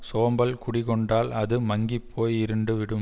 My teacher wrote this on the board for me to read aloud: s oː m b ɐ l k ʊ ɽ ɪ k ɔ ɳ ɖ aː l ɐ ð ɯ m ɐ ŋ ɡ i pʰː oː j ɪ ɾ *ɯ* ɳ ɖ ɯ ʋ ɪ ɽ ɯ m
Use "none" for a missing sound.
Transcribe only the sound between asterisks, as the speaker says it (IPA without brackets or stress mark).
ɯ